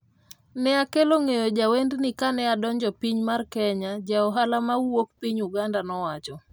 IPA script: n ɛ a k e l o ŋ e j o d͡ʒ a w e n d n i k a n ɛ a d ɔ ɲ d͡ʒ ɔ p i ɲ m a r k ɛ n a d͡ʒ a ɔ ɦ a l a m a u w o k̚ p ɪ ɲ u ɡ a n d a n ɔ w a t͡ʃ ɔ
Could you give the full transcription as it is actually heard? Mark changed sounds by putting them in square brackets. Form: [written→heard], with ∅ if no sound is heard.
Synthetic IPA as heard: n ɛ a k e l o ŋ e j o d͡ʒ a w e n d n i k a n ɛ a d ɔ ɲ d͡ʒ ɔ p i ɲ m a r k ɛ [n→ɲ] a d͡ʒ a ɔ ɦ a l a m a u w o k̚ p [ɪ→i] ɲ u ɡ a n d a n ɔ w a t͡ʃ ɔ

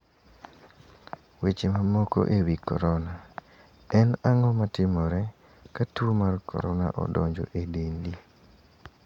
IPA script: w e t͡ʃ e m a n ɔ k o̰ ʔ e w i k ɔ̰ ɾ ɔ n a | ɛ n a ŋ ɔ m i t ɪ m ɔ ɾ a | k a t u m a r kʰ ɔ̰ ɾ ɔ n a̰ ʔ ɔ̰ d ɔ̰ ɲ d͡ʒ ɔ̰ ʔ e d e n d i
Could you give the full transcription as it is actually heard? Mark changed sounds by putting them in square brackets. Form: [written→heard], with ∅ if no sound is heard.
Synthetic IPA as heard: w e t͡ʃ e m a [n→m] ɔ k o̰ ʔ e w i k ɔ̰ ɾ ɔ n a | ɛ n a ŋ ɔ m [i→a] t ɪ m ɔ ɾ [a→ɛ] | k a t u m a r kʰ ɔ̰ ɾ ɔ n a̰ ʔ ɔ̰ d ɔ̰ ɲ d͡ʒ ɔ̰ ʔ e d e n d i

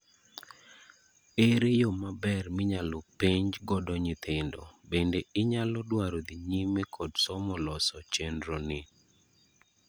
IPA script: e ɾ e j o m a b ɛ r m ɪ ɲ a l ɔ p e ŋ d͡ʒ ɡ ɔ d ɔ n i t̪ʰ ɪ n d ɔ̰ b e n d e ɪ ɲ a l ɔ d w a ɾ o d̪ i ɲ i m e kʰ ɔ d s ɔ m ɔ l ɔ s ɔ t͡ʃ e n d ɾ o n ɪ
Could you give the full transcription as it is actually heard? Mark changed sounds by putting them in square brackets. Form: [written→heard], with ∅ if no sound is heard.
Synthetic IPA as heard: e ɾ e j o m a b ɛ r m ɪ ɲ a l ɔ p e [ŋ→ɲ] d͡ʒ ɡ ɔ d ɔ [n→ɲ] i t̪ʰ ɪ n d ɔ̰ b e n d e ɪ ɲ a l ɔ d w a ɾ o d̪ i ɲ i m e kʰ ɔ d s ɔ m ɔ l ɔ s ɔ t͡ʃ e n d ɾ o n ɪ

